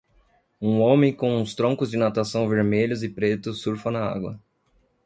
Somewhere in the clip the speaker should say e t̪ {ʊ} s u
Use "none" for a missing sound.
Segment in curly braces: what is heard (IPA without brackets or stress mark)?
ʊ